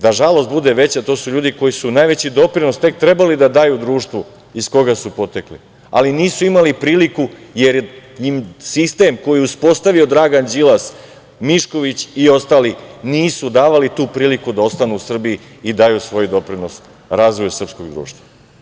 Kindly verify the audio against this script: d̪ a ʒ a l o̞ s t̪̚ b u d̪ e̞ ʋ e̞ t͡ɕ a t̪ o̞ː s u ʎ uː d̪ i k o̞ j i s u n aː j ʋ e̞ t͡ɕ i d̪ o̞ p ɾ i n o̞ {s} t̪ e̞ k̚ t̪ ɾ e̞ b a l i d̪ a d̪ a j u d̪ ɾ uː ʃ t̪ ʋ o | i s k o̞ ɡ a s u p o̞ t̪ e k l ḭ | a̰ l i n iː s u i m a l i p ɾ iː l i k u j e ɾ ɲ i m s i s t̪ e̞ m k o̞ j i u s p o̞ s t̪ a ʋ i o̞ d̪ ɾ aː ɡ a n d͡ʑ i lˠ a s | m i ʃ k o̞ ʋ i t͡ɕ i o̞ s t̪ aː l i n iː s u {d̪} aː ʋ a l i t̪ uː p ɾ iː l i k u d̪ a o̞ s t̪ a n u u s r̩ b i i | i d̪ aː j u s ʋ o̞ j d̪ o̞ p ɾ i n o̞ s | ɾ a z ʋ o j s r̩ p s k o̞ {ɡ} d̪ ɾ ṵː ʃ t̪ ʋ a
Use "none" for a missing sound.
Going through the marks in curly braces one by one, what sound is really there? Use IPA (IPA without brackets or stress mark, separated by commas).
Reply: s, d̪, ɡ